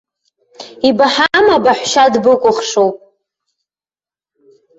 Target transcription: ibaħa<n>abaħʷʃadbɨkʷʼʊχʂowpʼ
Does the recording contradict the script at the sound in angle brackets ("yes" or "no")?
yes